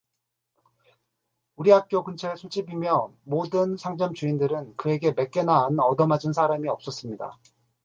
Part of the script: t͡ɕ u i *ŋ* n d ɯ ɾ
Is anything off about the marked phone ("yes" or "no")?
yes